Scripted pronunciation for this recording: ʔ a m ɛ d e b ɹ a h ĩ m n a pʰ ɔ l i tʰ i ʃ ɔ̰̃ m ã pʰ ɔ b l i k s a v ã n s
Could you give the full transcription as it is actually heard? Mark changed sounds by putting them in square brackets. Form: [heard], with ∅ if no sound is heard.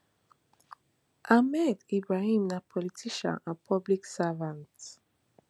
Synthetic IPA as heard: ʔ a m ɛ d [i] b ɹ a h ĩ m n a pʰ ɔ l i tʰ i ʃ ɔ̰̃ [n] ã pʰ ɔ b l i k s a v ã n [t]